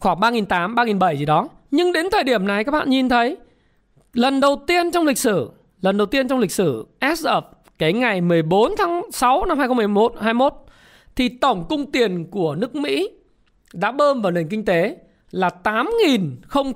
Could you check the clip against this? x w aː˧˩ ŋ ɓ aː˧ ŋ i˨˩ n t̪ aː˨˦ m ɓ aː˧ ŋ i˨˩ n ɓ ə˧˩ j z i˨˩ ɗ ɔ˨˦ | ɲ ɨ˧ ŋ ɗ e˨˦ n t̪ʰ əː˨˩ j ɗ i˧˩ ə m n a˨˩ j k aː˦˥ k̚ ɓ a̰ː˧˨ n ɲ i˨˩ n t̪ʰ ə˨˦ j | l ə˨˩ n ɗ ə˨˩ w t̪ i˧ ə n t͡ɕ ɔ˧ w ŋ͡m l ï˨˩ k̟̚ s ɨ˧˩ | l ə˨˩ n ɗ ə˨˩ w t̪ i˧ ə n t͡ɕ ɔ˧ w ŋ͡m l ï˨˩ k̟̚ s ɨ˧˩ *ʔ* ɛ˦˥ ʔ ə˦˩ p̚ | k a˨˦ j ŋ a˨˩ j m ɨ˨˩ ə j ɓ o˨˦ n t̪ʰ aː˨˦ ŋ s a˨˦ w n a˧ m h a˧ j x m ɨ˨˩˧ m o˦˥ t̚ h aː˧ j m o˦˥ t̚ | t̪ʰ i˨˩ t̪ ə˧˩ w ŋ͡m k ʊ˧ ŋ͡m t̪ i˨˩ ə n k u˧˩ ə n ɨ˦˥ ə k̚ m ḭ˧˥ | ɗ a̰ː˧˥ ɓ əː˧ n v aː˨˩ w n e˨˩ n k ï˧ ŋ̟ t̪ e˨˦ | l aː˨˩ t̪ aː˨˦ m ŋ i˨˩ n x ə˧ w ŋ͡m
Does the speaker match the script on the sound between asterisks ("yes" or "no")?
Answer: yes